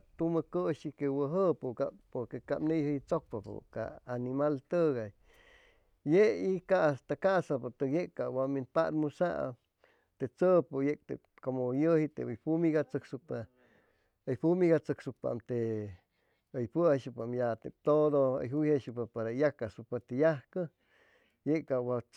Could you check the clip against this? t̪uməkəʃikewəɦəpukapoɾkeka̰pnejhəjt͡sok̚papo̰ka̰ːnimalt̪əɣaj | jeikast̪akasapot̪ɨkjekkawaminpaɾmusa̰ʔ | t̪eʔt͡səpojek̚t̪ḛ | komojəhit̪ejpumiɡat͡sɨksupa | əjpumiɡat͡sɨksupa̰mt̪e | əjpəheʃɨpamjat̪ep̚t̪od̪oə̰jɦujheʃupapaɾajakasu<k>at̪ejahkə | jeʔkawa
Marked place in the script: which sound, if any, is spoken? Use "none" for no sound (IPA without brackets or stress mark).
p